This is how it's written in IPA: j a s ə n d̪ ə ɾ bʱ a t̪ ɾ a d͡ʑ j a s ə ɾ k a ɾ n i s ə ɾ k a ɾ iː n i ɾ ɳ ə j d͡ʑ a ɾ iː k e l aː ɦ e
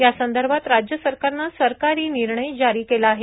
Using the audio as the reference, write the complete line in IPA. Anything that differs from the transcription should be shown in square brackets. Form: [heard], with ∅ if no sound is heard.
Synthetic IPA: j a s ə n d̪ ə ɾ bʱ a t̪ ɾ a d͡ʑ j [ə] s ə ɾ k a ɾ n [a] s ə ɾ k a ɾ iː n i ɾ ɳ ə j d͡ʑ a ɾ iː k e l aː ɦ e